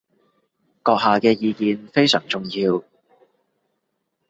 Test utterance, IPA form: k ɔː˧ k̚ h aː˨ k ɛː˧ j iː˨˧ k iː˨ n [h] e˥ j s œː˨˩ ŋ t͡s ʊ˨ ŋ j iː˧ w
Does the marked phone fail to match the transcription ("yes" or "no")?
yes